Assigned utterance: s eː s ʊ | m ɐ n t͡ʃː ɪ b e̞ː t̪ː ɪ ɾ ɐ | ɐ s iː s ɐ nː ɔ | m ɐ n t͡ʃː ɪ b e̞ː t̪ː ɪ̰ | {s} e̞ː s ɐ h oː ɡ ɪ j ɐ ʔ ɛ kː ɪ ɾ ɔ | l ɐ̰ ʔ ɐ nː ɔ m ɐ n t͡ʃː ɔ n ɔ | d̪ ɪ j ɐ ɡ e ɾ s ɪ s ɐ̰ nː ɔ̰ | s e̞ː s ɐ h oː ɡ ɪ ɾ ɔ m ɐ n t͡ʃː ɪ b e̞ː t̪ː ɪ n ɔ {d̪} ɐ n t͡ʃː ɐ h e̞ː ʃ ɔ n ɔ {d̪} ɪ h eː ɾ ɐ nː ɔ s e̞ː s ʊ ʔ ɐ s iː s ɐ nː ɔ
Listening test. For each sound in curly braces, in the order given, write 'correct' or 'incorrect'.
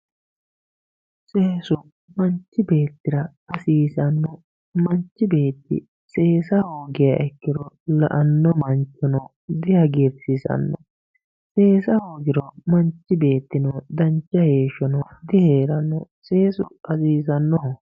correct, correct, correct

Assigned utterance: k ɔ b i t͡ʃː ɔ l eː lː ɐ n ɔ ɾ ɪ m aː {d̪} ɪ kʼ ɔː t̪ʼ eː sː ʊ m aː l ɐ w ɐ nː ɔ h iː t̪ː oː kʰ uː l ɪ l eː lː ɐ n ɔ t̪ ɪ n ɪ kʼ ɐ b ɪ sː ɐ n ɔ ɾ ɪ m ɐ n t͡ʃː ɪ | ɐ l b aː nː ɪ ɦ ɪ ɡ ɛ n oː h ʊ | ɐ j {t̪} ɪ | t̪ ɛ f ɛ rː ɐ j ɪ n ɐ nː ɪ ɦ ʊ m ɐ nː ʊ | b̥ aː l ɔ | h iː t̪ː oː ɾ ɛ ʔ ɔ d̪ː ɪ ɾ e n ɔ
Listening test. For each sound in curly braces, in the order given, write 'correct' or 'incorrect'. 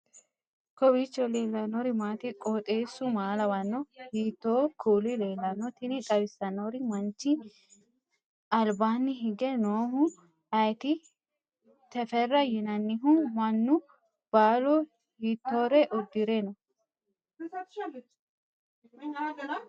incorrect: t̪, correct

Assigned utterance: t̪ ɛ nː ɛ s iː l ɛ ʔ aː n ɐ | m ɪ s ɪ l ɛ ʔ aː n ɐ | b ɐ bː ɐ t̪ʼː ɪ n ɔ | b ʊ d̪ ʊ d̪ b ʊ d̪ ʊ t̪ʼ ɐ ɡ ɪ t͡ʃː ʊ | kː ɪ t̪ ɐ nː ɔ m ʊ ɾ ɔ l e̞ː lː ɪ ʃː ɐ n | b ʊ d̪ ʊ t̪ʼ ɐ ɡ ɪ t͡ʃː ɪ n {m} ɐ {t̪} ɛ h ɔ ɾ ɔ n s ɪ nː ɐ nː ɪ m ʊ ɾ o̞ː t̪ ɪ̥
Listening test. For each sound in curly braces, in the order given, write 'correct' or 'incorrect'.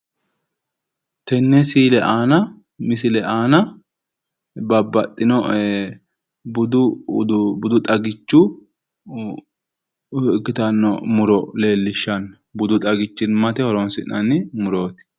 correct, correct

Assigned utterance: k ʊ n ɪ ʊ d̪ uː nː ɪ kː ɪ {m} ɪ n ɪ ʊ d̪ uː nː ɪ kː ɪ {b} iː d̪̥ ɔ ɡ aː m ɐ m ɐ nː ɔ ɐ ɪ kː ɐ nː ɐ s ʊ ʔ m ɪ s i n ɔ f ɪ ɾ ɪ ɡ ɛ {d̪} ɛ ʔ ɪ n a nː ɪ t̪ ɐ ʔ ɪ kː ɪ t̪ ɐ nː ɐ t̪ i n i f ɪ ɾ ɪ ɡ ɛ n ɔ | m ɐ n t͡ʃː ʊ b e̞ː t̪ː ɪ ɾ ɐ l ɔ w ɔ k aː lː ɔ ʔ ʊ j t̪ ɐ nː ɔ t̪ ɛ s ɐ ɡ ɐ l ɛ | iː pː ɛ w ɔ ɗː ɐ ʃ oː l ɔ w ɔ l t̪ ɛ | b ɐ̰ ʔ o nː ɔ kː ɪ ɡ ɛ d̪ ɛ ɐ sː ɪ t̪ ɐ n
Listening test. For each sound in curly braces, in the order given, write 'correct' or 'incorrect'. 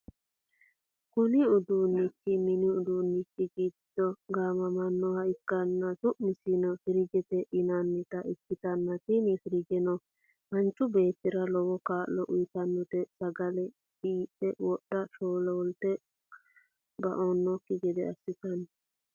correct, incorrect: ɡ, incorrect: t̪

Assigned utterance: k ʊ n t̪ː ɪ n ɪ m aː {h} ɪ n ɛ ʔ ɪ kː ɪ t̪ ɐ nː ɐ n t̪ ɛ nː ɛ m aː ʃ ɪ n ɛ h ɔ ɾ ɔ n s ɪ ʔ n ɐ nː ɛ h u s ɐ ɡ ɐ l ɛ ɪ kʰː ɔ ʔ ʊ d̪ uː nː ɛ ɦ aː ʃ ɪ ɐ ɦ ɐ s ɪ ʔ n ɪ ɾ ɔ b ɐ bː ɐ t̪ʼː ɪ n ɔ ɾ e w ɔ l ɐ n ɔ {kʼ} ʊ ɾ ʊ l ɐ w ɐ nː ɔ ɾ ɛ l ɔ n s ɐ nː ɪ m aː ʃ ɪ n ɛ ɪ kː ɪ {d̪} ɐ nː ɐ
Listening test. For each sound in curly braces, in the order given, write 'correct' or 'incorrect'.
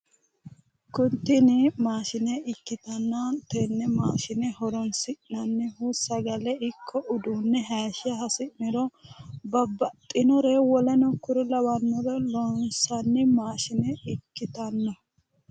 incorrect: ʃ, incorrect: k, incorrect: t̪

